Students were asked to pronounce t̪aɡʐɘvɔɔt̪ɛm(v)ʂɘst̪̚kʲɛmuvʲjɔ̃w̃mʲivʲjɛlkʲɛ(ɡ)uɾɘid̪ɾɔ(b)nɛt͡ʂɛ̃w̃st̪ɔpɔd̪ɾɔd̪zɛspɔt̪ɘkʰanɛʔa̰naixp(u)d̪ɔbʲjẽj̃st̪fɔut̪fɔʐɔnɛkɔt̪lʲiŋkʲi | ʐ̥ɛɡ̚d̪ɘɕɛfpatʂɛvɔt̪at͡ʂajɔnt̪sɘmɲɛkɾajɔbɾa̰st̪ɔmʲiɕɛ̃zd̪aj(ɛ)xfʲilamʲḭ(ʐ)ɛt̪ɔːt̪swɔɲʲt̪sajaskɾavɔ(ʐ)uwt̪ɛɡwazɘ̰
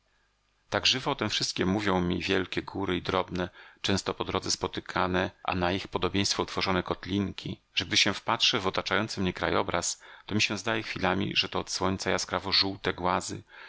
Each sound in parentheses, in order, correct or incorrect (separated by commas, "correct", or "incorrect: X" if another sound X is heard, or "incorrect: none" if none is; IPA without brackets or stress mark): incorrect: f, correct, correct, incorrect: ɔ, correct, correct, correct